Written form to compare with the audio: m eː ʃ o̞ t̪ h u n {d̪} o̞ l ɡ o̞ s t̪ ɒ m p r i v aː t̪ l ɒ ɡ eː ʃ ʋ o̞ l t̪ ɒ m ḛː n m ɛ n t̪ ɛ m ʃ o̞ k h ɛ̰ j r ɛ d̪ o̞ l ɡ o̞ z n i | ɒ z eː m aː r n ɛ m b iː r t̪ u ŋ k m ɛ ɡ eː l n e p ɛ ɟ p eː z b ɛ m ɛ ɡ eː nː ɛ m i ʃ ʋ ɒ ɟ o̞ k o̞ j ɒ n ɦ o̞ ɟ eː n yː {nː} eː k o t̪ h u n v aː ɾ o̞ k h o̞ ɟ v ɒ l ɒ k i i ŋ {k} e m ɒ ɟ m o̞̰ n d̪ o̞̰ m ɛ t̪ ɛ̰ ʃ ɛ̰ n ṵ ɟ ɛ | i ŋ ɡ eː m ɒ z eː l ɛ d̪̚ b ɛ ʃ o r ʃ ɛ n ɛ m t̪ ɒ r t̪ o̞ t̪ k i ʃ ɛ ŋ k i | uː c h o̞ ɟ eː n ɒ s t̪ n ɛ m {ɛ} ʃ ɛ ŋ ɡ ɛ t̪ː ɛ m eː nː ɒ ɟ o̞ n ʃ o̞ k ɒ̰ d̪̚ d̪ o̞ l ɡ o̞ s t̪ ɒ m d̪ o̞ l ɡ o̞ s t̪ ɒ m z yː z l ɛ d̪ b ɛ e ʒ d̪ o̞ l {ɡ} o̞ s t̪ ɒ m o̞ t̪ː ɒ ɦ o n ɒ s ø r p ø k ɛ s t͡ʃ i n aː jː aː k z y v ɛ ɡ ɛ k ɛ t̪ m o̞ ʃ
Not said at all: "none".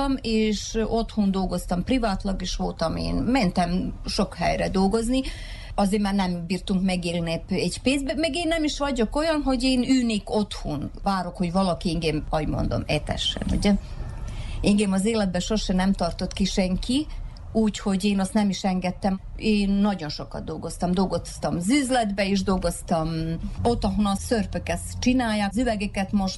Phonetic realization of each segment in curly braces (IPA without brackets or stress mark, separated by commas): d̪, n, ɡ, i, ɡ